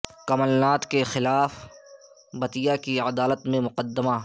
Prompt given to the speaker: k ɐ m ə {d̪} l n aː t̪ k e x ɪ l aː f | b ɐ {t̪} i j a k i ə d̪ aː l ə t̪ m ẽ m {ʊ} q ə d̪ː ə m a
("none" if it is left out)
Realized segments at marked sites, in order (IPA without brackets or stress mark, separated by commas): none, t̪, ʊ